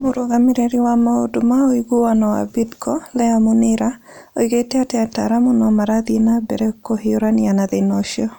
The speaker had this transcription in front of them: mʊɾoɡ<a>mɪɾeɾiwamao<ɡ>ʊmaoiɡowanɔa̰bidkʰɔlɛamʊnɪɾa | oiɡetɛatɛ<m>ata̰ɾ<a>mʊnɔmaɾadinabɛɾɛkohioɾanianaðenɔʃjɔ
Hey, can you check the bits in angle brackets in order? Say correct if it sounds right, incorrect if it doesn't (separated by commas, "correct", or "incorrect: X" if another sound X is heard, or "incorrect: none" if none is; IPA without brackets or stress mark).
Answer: correct, incorrect: d, incorrect: none, correct